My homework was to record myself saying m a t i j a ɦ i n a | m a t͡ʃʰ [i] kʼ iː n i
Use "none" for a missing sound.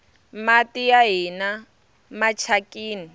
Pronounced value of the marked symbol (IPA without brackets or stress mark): a